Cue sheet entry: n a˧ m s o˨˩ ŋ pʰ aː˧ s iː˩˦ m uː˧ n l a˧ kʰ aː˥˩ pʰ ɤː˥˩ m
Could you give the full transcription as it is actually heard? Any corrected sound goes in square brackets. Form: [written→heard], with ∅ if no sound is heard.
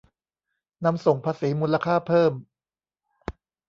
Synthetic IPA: n a˧ m s o˨˩ ŋ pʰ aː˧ s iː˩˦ m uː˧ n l a˧ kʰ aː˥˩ pʰ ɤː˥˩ m

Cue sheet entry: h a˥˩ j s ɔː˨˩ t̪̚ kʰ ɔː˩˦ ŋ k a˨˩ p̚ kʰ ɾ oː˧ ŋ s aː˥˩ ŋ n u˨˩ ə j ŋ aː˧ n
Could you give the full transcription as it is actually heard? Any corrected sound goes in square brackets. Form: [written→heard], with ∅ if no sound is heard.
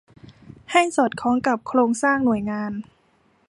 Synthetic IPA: h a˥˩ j s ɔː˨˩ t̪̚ kʰ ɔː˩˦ ŋ k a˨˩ p̚ kʰ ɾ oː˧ ŋ s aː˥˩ ŋ n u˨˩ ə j ŋ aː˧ n

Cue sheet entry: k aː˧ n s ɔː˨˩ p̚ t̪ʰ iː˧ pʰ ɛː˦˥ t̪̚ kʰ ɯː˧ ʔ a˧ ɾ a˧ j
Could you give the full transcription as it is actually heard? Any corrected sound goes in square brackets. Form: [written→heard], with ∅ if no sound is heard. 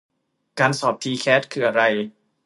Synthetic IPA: k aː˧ n s ɔː˨˩ p̚ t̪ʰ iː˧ [pʰ→kʰ] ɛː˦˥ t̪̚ kʰ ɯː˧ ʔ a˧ ɾ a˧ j

